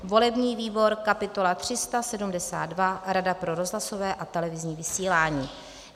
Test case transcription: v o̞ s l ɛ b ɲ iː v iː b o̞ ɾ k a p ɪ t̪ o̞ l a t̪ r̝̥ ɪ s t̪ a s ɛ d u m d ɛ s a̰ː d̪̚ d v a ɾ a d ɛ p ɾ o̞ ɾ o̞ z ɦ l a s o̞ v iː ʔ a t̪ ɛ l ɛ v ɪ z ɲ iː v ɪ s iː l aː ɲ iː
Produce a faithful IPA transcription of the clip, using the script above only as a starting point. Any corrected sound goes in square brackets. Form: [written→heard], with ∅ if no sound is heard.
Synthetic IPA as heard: v o̞ [s→∅] l ɛ b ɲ iː v iː b o̞ ɾ k a p ɪ t̪ o̞ l a t̪ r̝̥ ɪ s t̪ a s ɛ d u m d ɛ s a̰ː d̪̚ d v a ɾ a d [ɛ→a] p ɾ o̞ ɾ o̞ z ɦ l a s o̞ v [iː→ɛː] ʔ a t̪ ɛ l ɛ v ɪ z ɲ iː v ɪ s iː l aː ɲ iː